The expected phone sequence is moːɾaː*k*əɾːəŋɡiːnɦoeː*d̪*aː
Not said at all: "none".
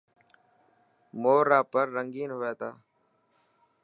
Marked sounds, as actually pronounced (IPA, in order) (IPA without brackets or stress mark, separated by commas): p, t̪